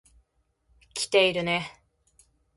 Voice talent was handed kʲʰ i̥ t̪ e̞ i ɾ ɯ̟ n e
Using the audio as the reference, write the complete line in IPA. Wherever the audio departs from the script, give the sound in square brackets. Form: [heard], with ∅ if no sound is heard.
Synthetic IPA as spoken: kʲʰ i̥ t̪ e̞ i ɾ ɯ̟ n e